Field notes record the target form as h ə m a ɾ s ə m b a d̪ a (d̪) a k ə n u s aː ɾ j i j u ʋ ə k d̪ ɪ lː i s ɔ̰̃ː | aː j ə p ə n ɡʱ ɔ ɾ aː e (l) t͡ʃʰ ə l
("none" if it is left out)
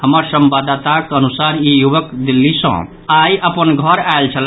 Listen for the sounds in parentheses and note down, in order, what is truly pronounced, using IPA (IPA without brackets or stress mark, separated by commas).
t̪, l